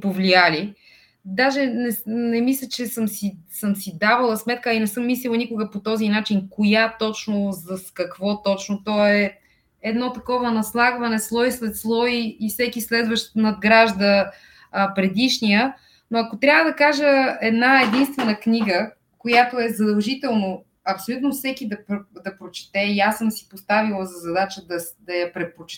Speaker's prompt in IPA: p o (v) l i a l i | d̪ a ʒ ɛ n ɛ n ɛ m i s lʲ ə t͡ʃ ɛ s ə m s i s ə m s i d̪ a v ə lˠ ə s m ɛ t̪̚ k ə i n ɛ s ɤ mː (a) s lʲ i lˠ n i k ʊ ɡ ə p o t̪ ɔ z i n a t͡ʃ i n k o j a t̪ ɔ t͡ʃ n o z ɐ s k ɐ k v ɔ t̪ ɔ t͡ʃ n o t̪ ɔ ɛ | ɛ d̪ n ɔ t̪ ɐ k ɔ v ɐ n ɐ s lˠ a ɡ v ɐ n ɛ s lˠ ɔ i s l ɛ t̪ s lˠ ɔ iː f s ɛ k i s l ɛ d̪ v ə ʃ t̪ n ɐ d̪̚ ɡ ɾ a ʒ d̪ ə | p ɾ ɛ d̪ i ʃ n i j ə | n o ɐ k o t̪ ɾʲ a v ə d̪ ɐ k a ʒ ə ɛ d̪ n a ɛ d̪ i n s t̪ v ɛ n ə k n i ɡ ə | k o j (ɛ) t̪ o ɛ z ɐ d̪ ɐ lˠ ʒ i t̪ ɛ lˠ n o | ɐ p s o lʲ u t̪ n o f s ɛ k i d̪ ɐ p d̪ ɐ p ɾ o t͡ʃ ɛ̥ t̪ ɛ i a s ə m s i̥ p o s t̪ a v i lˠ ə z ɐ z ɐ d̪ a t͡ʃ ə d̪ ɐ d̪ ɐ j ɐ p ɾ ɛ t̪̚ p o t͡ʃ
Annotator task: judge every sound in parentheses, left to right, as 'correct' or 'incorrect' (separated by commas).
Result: correct, incorrect, incorrect